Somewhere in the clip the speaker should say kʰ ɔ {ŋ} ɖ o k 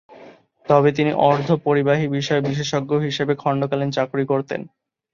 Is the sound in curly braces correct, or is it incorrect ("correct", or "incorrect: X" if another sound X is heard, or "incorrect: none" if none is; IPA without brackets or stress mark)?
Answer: incorrect: ɳ